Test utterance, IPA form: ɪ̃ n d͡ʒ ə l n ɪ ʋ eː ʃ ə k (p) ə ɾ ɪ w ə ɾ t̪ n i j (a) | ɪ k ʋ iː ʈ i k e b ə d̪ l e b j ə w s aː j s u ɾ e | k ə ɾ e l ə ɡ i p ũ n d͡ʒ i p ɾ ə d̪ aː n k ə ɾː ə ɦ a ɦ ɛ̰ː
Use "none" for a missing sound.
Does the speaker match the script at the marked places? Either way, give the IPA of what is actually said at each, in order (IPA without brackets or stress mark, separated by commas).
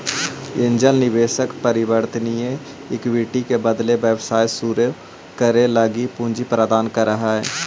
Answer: p, e